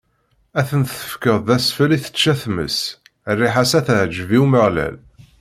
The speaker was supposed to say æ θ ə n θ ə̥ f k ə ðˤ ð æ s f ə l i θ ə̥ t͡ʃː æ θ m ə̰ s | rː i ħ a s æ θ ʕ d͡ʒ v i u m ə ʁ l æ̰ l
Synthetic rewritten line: æ θ ə n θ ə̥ f k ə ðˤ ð æ s f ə l i θ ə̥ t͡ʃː æ θ m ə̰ s | rː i ħ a s æ θ ʕ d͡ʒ v i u m ə ʁ l æ̰ l